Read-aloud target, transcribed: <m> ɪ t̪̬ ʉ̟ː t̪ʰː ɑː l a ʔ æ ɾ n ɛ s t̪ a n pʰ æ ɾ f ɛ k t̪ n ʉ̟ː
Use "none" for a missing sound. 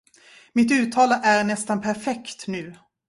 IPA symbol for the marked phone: m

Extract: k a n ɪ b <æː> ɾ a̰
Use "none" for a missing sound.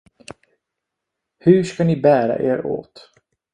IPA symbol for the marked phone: æː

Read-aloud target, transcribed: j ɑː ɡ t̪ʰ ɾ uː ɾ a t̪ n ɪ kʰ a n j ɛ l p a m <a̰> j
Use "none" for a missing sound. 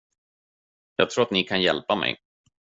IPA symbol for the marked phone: ɛ̰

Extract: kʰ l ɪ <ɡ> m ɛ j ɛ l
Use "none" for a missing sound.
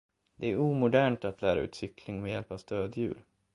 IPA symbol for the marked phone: ŋ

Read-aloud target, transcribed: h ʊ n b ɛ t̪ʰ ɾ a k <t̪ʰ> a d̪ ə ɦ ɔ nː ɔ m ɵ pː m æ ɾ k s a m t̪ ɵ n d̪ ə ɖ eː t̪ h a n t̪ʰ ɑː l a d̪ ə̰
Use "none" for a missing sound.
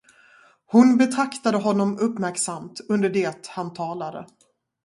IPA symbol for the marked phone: t̪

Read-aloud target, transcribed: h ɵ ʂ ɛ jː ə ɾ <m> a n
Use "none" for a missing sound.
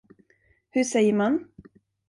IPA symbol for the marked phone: m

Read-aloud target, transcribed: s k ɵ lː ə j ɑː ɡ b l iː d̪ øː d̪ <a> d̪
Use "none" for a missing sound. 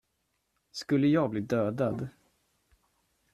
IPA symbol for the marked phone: a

